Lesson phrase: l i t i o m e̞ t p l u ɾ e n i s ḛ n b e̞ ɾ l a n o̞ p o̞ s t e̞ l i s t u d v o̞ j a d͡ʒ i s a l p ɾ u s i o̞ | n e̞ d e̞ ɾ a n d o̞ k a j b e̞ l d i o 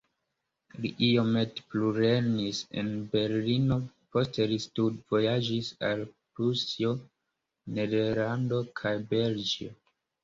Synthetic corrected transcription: l i ʔ i o m e̞ t p l u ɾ e n i s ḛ n b e̞ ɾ l i n o̞ p o̞ s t e̞ l i s t u d v o̞ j a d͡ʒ i s a l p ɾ u s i o̞ | n e̞ d e̞ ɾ a n d o̞ kʰ a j b e̞ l d͡ʒ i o